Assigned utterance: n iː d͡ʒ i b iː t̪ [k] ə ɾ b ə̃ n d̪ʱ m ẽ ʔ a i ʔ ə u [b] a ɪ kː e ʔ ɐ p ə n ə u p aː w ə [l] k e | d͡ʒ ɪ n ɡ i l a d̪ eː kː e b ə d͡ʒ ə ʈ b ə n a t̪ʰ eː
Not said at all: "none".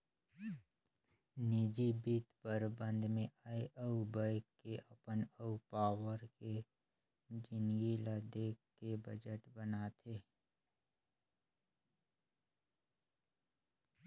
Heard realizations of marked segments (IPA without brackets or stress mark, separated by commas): p, b, ɾ